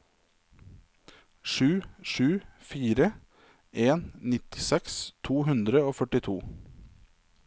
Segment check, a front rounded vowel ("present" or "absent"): present